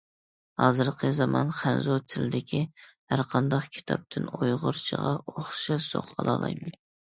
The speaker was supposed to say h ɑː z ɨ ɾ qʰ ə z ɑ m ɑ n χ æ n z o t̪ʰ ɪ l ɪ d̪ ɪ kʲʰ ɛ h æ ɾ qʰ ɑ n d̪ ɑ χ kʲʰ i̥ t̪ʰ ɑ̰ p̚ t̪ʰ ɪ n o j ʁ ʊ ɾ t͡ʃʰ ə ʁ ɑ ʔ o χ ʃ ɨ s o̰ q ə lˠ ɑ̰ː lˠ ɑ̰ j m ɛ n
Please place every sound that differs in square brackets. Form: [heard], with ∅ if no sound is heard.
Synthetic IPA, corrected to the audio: h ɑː z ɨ ɾ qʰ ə z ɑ m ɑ n χ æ n z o t̪ʰ ɪ l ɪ d̪ ɪ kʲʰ [i] h æ ɾ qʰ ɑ n d̪ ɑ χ kʲʰ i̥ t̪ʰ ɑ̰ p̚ t̪ʰ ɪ n o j ʁ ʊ ɾ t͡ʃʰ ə ʁ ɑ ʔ o χ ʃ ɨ s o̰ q [ɑ] lˠ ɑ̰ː lˠ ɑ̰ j m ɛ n